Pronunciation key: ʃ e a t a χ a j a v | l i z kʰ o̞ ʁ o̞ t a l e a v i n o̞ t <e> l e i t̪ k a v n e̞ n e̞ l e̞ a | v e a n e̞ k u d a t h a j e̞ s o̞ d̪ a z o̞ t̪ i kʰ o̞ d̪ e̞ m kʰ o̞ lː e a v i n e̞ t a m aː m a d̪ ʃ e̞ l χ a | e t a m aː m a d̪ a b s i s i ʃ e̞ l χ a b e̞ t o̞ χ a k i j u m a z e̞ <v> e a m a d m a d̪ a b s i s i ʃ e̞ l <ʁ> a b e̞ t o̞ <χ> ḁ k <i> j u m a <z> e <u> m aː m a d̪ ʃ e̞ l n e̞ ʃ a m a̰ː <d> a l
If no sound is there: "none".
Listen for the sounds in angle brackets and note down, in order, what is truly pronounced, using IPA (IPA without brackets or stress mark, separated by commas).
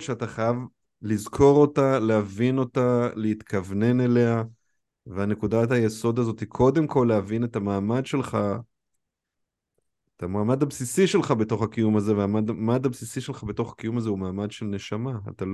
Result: a, v, χ, χ, i, z, u, t